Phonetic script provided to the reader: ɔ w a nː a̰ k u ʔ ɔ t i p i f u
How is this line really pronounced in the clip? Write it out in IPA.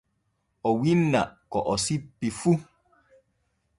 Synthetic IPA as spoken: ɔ w i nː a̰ k ɔ ʔ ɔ s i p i f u